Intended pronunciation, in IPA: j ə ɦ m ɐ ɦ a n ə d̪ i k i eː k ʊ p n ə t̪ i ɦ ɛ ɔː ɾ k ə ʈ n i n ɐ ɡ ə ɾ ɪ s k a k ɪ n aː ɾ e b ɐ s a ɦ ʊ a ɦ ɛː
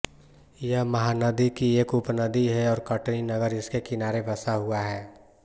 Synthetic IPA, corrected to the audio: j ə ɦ m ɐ ɦ a n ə d̪ i k i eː k ʊ p n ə d̪ i ɦ ɛ ɔː ɾ k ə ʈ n i n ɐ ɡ ə ɾ ɪ s k e k ɪ n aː ɾ e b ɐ s a ɦ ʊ a ɦ ɛː